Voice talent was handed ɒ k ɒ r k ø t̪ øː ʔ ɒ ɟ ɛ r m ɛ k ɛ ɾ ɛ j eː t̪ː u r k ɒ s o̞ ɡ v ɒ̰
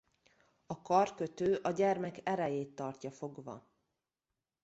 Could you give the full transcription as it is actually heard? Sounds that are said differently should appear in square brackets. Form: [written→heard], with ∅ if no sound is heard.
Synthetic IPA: ɒ k ɒ r k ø t̪ øː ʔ ɒ ɟ ɛ r m ɛ k ɛ ɾ ɛ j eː t̪ː [u→ɒ] r [k→c] ɒ [s→f] o̞ ɡ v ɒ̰